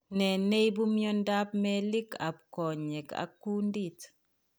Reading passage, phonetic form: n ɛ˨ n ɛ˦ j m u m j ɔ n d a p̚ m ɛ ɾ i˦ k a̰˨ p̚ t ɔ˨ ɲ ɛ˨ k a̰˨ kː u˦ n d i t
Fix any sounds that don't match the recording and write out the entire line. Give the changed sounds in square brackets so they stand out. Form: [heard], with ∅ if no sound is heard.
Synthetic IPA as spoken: n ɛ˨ n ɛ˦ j [b] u m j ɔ n d a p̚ m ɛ [l] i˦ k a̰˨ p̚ [k] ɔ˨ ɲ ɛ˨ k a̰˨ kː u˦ n d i t